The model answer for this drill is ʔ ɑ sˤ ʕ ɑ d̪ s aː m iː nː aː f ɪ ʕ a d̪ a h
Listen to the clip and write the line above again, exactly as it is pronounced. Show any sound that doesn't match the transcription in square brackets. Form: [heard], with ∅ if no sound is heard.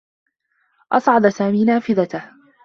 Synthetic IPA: ʔ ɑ sˤ ʕ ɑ d̪ s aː m iː [n] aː f ɪ [ð] a [t̪] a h